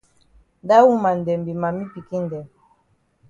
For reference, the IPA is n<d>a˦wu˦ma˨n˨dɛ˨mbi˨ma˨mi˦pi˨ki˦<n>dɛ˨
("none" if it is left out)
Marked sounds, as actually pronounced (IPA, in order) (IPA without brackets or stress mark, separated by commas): d, n